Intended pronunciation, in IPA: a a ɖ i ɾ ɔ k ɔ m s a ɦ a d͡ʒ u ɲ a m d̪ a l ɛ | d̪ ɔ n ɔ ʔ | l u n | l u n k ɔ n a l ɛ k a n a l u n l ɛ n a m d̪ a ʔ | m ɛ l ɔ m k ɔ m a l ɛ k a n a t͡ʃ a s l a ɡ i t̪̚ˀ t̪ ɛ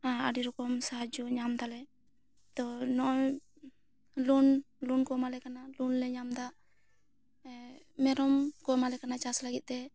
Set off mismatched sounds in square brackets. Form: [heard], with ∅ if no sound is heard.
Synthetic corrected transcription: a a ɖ i ɾ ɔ k ɔ m s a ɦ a d͡ʒ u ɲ a m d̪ a l ɛ | [t̪] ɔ n ɔ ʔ | l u n | l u n k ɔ [m] a l ɛ k a n a l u n l ɛ [ɲ] a m d̪ a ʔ | m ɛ [ɾ] ɔ m k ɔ m a l ɛ k a n a t͡ʃ a s l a ɡ i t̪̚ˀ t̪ ɛ